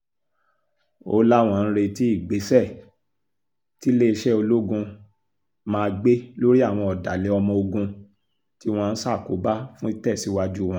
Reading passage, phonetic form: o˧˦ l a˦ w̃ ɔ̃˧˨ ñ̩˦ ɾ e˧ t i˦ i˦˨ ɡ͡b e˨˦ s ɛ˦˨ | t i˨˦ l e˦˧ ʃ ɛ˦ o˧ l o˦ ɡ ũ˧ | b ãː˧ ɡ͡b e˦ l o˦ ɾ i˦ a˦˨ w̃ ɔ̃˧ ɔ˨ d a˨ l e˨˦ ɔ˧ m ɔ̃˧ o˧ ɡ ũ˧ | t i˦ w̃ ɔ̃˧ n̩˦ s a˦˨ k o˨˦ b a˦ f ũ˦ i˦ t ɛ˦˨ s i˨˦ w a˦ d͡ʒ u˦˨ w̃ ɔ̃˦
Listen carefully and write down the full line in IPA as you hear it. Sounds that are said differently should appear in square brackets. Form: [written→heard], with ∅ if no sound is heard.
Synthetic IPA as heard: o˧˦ l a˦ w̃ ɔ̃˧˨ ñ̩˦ ɾ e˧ t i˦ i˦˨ ɡ͡b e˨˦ s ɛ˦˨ | t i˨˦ l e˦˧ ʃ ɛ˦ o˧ l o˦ ɡ ũ˧ | [b→m] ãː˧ ɡ͡b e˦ l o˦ ɾ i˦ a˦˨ w̃ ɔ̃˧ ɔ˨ d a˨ l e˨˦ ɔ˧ m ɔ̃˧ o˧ ɡ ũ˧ | t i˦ w̃ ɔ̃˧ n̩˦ s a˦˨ k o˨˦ b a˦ f ũ˦ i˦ t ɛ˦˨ s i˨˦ w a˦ d͡ʒ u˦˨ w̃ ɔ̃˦